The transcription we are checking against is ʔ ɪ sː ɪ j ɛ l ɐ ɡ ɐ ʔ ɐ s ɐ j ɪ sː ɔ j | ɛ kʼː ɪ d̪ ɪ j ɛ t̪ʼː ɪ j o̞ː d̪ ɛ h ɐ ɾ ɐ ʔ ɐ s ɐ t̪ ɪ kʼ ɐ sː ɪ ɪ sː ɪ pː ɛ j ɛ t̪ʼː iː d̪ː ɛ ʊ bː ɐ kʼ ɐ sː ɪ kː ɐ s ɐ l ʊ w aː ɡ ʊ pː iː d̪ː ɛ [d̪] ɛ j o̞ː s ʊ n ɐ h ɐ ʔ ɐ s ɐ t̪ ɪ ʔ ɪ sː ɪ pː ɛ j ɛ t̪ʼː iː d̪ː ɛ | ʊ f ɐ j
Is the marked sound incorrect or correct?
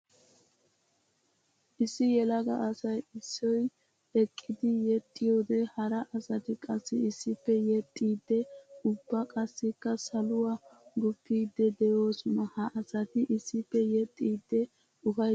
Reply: correct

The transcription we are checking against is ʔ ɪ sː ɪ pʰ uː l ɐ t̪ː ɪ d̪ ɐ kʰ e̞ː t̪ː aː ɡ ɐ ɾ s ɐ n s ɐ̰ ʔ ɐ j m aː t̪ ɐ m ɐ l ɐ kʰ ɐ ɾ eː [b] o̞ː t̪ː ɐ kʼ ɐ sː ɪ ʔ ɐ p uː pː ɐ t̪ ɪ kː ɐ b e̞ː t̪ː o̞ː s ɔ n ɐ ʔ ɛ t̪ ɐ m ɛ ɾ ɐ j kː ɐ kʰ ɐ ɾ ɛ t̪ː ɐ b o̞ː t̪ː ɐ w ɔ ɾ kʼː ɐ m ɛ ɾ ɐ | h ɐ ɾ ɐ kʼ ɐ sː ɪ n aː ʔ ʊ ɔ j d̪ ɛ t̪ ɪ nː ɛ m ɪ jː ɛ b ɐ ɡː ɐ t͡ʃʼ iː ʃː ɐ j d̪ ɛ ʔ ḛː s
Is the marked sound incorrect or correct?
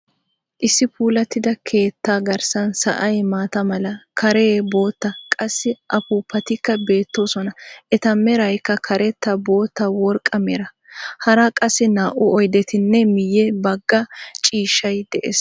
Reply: correct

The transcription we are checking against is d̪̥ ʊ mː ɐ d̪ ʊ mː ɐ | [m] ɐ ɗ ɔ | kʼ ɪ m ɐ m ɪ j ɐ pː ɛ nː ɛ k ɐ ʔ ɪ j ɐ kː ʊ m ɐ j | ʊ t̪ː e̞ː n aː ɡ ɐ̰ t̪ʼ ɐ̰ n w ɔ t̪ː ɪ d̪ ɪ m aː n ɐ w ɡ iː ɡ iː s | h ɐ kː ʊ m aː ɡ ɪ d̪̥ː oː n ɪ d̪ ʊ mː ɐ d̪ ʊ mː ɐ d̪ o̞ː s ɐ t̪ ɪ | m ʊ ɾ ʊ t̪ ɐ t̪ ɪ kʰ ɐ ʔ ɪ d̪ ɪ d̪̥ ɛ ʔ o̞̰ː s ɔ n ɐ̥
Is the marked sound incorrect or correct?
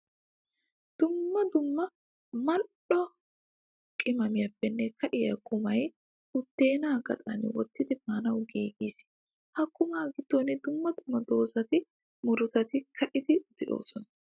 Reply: correct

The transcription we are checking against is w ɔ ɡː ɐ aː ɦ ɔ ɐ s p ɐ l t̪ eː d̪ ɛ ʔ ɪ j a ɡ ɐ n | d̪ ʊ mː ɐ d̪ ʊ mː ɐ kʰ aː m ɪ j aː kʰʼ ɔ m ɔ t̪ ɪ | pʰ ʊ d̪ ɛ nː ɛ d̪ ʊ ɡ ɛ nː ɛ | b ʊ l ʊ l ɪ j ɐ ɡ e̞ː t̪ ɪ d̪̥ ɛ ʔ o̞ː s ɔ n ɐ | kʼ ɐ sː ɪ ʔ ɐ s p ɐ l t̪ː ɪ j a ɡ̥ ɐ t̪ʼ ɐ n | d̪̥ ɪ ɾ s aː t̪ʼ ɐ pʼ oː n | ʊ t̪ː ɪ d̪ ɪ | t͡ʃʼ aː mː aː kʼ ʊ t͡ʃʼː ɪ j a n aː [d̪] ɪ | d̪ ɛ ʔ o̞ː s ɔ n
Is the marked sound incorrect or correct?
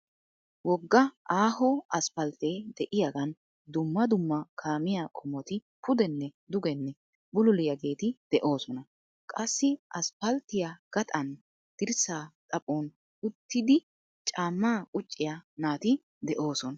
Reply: incorrect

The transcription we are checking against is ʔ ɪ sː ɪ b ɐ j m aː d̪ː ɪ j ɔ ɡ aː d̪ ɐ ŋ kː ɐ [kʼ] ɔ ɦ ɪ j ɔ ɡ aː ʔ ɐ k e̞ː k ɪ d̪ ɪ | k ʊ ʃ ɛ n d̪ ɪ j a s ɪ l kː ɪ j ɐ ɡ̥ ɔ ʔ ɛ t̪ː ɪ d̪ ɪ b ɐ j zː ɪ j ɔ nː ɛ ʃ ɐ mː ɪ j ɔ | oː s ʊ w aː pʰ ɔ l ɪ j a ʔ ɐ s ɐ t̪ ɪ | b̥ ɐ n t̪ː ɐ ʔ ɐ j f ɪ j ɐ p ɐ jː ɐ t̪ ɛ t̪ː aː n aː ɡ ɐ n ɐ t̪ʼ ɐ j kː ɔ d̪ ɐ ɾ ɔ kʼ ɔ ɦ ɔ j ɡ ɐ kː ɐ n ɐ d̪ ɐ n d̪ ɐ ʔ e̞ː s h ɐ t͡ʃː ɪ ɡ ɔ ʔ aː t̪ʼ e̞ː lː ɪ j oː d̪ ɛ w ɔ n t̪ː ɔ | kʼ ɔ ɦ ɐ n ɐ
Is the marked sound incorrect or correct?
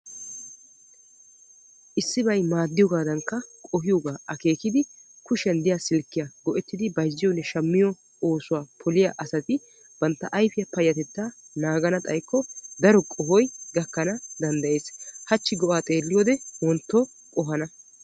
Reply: correct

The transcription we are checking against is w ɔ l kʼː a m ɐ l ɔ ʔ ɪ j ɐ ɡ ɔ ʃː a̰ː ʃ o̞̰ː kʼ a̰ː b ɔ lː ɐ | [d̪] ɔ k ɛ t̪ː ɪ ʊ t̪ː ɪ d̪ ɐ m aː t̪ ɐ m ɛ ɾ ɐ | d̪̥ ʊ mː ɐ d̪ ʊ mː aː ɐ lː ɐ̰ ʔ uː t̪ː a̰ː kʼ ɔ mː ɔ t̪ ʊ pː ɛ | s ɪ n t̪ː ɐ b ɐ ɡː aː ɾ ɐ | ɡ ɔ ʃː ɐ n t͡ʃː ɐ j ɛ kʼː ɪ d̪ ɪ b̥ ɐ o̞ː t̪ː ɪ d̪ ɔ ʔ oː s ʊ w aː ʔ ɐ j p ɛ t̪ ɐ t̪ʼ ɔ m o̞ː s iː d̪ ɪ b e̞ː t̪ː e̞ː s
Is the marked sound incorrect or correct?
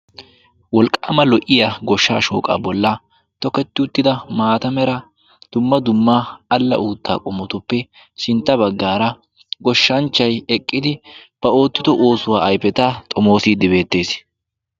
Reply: incorrect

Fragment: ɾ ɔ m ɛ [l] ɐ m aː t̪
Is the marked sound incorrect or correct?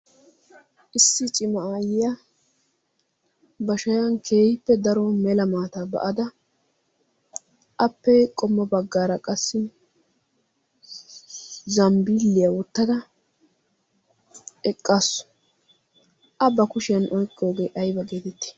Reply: correct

